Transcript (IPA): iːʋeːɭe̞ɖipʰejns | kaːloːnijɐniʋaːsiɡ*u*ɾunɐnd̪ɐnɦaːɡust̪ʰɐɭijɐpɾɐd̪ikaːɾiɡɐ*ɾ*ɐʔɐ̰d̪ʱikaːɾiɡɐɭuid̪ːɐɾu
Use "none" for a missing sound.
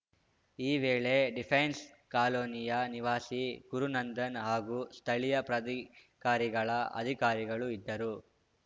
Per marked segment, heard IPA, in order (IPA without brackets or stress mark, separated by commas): u, ɭ